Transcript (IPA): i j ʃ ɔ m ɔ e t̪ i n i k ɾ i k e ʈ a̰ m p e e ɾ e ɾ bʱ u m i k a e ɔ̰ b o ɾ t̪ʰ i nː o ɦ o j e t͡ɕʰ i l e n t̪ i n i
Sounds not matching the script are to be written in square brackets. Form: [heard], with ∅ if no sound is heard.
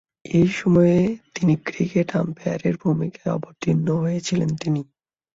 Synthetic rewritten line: [e] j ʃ ɔ m ɔ e t̪ i n i k ɾ i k e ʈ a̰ m p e [a] ɾ e ɾ bʱ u m i k a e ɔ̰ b o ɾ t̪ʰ i nː o ɦ o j e t͡ɕʰ i l e n t̪ i n i